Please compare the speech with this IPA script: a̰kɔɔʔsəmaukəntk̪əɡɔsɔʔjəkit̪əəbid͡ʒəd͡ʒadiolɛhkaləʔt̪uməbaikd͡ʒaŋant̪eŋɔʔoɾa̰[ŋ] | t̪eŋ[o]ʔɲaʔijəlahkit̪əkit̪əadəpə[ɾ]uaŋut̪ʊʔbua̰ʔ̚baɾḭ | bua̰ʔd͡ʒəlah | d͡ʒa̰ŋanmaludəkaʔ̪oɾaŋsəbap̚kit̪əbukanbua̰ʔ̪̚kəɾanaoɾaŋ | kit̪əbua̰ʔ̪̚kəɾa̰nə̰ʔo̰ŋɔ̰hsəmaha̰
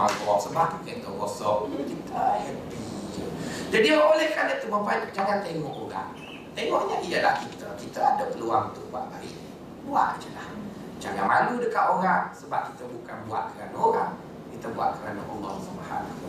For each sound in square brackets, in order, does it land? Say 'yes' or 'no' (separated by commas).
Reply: yes, no, no